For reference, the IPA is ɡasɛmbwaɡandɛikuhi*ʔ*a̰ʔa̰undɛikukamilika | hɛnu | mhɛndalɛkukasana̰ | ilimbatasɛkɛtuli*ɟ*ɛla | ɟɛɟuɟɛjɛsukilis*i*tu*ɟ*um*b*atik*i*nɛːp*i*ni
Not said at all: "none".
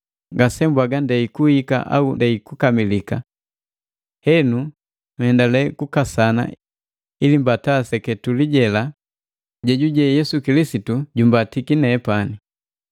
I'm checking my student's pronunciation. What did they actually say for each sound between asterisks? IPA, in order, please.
k, ɟ, i, ɟ, b, i, a

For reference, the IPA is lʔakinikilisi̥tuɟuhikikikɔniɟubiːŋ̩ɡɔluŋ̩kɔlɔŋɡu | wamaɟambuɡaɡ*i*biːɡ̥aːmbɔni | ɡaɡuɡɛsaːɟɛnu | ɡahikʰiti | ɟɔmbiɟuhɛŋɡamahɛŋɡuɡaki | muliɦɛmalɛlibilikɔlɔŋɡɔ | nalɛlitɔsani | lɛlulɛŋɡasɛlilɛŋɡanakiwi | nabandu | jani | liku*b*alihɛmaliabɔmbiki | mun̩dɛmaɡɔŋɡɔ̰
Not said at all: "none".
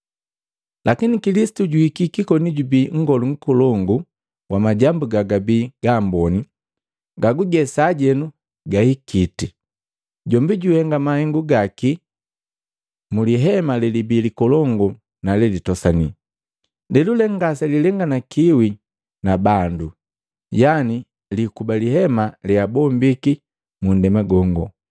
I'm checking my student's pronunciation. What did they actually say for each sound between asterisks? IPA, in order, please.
a, b

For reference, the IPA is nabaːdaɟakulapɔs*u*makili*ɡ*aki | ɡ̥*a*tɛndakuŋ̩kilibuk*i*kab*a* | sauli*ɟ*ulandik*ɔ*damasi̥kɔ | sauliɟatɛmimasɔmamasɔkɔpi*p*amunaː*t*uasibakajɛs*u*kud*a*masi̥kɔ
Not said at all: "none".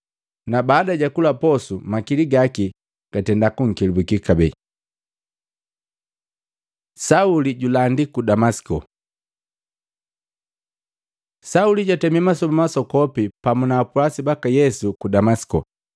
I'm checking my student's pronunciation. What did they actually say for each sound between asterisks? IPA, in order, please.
u, ɡ, a, i, ɛ, ɟ, u, p, p, u, a

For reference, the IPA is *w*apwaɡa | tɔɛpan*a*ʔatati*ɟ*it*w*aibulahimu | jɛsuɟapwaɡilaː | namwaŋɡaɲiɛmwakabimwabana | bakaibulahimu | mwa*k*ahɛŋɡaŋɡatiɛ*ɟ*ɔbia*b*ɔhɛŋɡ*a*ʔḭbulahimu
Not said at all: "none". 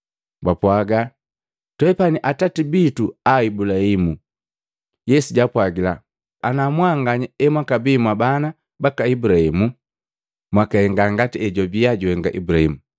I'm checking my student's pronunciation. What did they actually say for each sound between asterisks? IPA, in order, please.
b, i, b, u, k, ɟ, ɟ, a

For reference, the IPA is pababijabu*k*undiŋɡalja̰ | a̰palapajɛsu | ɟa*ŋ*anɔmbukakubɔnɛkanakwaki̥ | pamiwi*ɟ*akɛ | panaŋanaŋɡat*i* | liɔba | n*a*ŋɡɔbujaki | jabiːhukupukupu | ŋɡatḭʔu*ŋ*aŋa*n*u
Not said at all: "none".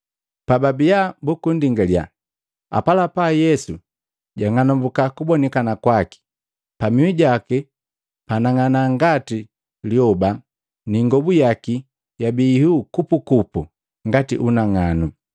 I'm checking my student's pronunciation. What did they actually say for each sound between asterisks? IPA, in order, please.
k, ŋ, ɟ, i, i, n, n

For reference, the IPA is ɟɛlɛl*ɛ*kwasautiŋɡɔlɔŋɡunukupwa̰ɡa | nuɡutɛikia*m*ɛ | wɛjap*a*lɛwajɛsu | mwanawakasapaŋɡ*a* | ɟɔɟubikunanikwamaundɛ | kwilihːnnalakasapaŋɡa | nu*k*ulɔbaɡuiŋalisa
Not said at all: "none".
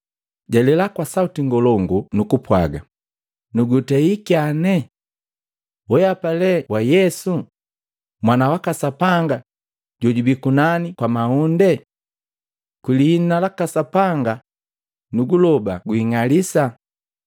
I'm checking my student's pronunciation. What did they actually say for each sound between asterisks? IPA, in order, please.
a, n, a, a, ɡ

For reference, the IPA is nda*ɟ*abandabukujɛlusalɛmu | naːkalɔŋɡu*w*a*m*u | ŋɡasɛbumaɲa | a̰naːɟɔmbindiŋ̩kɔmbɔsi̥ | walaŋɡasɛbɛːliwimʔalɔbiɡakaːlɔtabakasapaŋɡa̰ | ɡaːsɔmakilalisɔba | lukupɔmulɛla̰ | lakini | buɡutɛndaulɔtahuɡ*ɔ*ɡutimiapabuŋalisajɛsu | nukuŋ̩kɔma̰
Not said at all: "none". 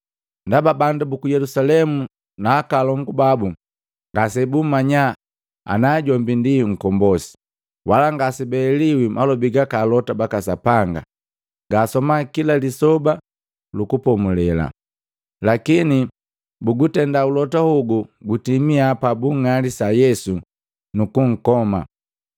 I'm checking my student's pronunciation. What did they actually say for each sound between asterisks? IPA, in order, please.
b, b, b, u

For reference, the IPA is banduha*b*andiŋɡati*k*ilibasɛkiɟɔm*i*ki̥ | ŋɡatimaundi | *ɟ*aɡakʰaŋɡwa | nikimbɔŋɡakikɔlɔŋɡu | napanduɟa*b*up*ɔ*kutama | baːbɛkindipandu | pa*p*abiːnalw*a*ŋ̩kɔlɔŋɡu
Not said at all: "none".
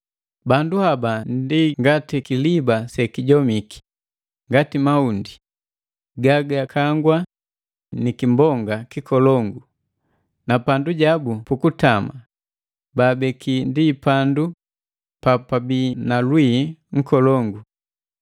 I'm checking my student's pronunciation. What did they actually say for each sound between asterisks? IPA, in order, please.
b, k, i, ɡ, b, u, p, i

